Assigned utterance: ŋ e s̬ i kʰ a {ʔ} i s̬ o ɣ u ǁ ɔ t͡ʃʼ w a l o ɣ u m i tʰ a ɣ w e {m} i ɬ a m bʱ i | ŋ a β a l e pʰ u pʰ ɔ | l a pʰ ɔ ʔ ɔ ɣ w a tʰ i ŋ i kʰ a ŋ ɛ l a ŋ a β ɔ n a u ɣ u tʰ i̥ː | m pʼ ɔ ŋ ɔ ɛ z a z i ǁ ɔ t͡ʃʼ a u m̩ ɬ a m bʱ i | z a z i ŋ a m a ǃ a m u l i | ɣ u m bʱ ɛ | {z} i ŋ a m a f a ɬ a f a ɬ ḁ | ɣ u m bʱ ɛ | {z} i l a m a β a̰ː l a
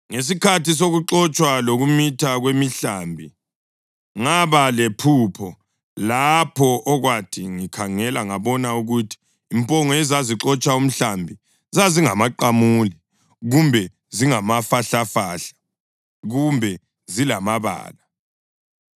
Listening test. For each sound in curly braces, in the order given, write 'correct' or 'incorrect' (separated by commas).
incorrect, correct, correct, correct